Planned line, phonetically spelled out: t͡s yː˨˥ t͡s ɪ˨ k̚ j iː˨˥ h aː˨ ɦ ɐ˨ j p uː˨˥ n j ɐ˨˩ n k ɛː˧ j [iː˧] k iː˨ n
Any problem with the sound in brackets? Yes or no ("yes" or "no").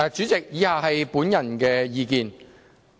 no